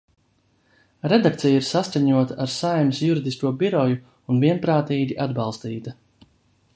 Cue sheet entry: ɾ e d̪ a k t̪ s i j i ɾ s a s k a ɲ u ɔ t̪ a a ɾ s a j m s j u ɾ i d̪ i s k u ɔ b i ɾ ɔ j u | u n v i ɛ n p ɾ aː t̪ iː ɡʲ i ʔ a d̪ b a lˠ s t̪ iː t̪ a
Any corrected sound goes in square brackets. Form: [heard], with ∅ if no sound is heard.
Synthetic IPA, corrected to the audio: ɾ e d̪ a k t̪ s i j i ɾ s a s k a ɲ u ɔ t̪ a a ɾ s a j m s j u ɾ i d̪ i s k u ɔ b i ɾ ɔ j u | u n v i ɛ n p ɾ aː t̪ iː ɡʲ i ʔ a d̪ b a lˠ s t̪ iː t̪ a